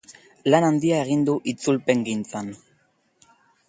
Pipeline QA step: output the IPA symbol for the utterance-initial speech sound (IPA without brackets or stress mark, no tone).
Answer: l